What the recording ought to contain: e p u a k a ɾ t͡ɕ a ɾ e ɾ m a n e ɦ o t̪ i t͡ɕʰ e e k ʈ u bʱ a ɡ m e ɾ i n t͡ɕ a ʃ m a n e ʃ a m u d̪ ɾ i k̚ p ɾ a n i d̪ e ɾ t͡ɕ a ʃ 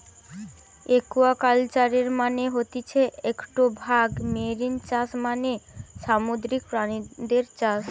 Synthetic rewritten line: e k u a k a l t͡ɕ a ɾ e ɾ m a n e ɦ o t̪ i t͡ɕʰ e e k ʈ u bʱ a ɡ m e ɾ i n t͡ɕ a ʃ m a n e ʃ a m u d̪ ɾ i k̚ p ɾ a n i d̪ e ɾ t͡ɕ a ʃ

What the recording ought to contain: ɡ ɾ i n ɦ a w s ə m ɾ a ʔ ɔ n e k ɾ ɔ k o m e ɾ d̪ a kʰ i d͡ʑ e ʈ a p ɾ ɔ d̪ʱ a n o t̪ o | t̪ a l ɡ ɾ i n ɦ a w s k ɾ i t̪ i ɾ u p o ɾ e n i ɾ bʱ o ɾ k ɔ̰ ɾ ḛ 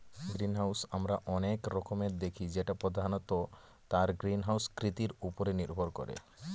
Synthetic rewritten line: ɡ ɾ i n ɦ a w s a m ɾ a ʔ ɔ n e k ɾ ɔ k o m e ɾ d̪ e kʰ i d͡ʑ e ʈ a p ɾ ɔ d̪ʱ a n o t̪ o | t̪ a ɾ ɡ ɾ i n ɦ a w s k ɾ i t̪ i ɾ u p o ɾ e n i ɾ bʱ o ɾ k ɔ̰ ɾ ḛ

